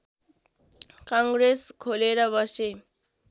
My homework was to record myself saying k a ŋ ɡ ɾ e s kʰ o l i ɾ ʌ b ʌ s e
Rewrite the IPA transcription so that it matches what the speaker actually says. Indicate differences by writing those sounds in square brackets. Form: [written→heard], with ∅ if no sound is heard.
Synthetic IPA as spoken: k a ŋ ɡ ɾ e s kʰ o l [i→e] ɾ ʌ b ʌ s e